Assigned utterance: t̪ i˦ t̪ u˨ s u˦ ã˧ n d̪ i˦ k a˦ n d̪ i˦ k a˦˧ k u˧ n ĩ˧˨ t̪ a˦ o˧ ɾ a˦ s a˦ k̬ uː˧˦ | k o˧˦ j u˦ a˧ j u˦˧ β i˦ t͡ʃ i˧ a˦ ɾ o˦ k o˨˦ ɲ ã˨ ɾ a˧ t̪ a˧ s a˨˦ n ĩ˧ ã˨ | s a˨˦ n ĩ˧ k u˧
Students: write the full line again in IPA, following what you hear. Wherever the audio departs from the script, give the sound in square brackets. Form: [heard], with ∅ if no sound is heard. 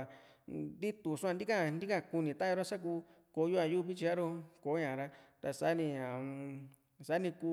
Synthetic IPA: [d̪] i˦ t̪ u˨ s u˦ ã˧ n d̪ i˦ k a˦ n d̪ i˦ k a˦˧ k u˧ n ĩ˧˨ t̪ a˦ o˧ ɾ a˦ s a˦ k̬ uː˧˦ | k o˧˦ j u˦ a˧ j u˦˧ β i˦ t͡ʃ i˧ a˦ ɾ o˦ k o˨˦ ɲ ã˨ ɾ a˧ t̪ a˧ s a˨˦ n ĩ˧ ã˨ | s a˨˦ n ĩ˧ k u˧